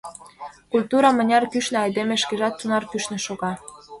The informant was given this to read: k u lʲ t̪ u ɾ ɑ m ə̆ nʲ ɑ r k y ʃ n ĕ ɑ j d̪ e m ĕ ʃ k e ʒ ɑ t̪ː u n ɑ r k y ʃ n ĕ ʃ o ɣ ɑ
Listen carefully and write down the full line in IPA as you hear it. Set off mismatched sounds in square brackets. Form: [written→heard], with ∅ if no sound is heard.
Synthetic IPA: k u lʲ t̪ u ɾ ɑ m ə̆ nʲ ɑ r k y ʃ n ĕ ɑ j d̪ e m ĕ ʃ k e ʒ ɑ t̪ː u n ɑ r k y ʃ n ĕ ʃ o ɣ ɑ